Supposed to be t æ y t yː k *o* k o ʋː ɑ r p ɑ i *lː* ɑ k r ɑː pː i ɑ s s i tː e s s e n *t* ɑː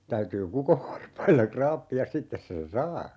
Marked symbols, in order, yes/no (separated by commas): no, yes, no